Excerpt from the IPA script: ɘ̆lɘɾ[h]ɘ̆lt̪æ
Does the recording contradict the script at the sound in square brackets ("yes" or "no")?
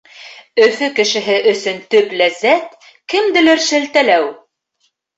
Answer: yes